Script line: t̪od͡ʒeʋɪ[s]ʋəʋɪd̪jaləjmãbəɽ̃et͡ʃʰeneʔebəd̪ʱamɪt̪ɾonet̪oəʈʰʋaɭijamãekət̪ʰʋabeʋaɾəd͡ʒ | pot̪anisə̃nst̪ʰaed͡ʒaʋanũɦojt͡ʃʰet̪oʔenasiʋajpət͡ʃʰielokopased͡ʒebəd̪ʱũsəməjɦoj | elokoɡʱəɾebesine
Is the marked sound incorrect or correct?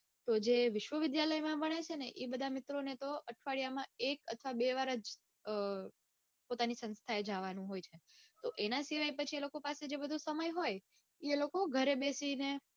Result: incorrect